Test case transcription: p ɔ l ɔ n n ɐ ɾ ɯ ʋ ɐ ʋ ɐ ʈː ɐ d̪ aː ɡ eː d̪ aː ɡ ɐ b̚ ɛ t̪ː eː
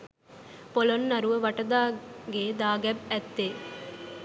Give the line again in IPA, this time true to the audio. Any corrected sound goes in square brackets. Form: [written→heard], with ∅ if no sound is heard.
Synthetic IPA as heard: p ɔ l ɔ n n ɐ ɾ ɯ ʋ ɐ ʋ ɐ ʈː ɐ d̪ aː ɡ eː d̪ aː ɡ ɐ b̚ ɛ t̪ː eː